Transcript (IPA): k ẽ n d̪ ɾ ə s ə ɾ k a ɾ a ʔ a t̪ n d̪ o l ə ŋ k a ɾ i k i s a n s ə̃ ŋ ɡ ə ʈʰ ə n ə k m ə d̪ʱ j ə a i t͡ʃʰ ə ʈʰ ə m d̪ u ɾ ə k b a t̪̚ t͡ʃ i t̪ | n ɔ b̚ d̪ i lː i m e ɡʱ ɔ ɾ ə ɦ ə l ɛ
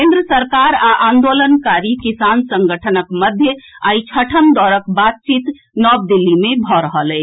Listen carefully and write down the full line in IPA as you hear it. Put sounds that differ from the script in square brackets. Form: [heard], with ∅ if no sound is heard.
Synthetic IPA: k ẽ n d̪ ɾ ə s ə ɾ k a ɾ a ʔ a [∅] n d̪ o l ə [n] k a ɾ i k i s a n s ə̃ ŋ ɡ ə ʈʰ ə n ə k m ə d̪ʱ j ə a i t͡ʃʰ ə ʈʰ ə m d̪ [ɔ] ɾ ə k b a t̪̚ t͡ʃ i t̪ | n ɔ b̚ d̪ i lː i m e [bʱ] ɔ ɾ ə ɦ ə l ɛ